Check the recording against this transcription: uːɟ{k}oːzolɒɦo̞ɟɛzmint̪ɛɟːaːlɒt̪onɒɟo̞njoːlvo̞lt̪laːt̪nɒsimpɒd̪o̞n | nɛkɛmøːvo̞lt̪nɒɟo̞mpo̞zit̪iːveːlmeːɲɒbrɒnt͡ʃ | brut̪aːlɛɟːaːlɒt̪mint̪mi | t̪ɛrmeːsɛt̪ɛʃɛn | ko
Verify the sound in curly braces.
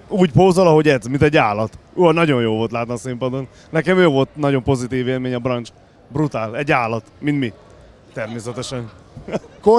incorrect: p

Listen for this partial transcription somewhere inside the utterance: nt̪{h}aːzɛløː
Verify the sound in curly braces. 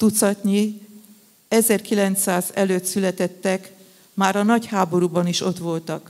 incorrect: s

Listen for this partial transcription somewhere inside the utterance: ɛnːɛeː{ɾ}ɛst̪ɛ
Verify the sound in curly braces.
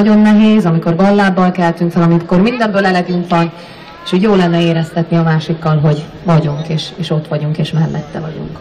correct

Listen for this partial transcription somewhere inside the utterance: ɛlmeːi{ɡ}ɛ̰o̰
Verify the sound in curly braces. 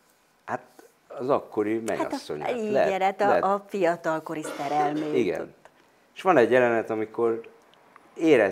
correct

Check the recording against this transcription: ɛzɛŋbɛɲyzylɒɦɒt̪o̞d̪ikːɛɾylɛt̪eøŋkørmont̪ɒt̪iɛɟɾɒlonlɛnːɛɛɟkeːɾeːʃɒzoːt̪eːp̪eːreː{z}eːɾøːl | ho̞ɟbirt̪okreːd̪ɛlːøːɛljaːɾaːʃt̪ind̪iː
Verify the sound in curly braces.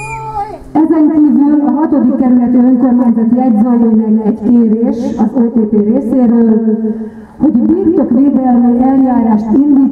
incorrect: s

